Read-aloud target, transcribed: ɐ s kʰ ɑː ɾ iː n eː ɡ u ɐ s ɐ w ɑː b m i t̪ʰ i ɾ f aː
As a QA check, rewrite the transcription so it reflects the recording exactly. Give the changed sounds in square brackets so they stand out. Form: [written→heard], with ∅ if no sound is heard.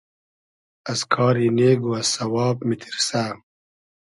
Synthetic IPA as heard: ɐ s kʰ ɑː ɾ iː n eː ɡ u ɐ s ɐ w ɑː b m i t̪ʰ i ɾ [f→s] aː